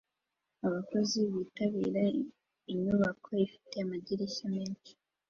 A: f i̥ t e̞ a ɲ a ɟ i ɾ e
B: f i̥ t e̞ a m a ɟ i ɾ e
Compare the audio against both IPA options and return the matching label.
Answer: B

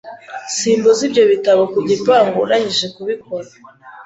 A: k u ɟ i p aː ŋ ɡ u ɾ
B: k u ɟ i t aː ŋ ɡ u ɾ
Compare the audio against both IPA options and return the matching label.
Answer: A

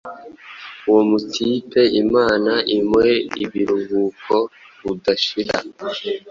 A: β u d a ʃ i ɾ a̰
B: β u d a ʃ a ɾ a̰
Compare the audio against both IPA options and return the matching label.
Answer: A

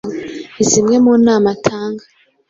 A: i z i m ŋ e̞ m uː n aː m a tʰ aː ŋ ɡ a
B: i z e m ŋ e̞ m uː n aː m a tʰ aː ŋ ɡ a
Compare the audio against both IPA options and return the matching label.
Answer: A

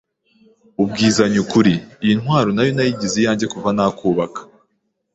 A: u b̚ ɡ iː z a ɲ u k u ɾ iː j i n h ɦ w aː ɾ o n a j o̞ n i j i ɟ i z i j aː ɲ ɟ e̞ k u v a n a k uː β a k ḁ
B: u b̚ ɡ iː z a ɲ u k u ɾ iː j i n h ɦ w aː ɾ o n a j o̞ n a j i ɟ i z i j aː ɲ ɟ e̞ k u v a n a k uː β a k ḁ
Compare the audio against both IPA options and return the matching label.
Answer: B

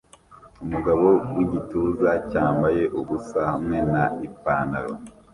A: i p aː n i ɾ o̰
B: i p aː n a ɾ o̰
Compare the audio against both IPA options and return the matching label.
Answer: B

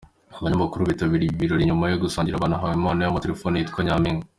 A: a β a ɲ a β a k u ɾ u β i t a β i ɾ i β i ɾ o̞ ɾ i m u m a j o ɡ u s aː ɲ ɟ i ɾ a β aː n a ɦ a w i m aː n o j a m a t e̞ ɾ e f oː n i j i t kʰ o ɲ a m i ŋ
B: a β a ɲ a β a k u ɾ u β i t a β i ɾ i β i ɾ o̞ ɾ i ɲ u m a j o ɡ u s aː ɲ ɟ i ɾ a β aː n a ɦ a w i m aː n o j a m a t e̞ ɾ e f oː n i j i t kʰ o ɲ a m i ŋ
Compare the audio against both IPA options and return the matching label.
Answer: B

